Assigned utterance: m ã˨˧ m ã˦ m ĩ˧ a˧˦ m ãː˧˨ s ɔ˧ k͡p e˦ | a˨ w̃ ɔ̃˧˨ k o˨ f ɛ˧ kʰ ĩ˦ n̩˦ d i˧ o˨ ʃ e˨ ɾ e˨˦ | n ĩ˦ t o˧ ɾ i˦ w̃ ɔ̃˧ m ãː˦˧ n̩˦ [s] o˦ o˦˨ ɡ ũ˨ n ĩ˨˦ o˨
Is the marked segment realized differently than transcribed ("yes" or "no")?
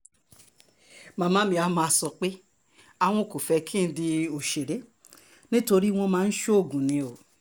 yes